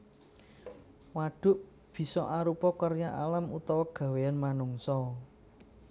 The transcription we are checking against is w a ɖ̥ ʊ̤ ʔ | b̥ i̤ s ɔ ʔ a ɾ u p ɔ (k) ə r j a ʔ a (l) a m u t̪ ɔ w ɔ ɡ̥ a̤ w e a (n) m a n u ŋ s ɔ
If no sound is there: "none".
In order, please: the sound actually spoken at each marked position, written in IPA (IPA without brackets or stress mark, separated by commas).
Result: k, l, n